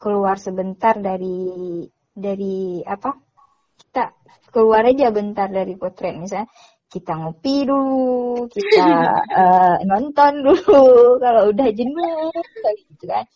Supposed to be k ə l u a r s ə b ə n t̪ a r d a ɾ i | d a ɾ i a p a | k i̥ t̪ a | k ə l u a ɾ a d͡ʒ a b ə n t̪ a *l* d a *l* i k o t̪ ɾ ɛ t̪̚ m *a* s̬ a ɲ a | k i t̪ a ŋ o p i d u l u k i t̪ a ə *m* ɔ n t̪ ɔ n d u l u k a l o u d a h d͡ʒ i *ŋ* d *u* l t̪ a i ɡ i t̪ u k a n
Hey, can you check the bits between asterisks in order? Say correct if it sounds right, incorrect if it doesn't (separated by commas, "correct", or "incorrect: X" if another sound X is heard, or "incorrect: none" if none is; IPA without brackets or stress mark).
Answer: incorrect: r, incorrect: ɾ, incorrect: i, incorrect: n, incorrect: n, correct